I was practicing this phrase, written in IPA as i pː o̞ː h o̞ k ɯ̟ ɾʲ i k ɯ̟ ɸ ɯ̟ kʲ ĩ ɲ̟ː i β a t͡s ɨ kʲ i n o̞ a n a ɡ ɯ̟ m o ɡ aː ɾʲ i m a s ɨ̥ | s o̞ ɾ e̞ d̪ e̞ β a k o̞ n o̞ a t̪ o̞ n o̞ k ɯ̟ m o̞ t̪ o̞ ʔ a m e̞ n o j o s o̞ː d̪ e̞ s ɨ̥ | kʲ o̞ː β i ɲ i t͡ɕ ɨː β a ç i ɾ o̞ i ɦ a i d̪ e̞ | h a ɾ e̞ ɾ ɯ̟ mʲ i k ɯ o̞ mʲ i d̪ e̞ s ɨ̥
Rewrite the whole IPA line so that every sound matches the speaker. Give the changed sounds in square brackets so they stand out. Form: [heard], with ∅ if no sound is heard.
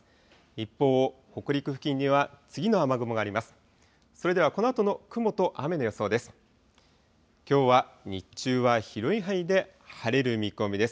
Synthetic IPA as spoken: i pː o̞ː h o̞ k ɯ̟ ɾʲ i k ɯ̟ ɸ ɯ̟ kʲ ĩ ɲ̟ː i β a t͡s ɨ [ɡʲ] i n o̞ a [m] a ɡ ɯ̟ m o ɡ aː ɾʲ i m a s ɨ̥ | s o̞ ɾ e̞ d̪ e̞ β a k o̞ n o̞ a t̪ o̞ n o̞ k ɯ̟ m o̞ t̪ o̞ ʔ a m e̞ n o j o s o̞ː d̪ e̞ s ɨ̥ | kʲ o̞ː β [a] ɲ i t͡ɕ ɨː β a ç i ɾ o̞ i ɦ a i d̪ e̞ | h a ɾ e̞ ɾ ɯ̟ mʲ i k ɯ o̞ mʲ i d̪ e̞ s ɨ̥